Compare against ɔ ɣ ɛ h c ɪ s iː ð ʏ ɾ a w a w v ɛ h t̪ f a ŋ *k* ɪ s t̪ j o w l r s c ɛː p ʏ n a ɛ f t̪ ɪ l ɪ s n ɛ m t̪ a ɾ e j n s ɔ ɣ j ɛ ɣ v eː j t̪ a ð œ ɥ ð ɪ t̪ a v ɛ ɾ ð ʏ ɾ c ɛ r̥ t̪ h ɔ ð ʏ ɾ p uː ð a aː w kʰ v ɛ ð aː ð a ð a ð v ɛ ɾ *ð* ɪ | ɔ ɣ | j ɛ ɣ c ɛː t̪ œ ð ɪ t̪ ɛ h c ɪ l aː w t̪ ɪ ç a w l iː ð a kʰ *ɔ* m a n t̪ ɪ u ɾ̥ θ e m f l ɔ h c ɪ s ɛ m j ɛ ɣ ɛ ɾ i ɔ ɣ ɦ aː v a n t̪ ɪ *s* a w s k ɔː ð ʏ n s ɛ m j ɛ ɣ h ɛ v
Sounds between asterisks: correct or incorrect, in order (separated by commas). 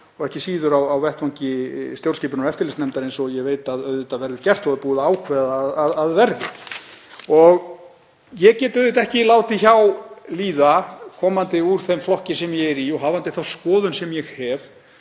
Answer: incorrect, correct, incorrect, incorrect